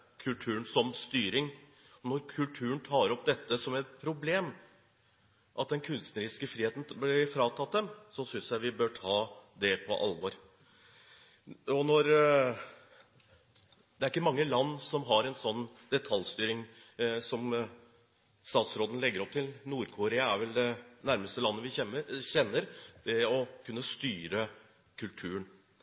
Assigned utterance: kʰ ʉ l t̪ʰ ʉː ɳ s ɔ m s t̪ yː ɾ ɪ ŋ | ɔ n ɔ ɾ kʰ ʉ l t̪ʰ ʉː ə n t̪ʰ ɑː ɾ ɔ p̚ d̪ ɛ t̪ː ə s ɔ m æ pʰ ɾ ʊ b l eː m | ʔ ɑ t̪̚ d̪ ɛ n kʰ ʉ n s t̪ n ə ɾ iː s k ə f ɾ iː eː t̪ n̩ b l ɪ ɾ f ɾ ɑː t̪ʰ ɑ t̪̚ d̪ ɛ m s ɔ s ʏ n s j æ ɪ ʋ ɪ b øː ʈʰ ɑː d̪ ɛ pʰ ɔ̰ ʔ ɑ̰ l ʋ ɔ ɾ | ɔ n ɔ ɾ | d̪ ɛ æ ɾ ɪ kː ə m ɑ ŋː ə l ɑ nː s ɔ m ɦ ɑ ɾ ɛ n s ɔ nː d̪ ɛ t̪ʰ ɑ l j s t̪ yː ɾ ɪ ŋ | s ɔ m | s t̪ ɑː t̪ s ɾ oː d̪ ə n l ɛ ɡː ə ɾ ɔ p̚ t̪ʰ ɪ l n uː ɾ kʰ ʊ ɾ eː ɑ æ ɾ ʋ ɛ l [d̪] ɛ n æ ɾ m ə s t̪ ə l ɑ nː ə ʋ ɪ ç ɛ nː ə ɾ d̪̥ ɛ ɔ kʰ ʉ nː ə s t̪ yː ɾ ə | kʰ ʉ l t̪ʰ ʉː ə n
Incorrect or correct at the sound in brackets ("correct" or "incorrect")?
correct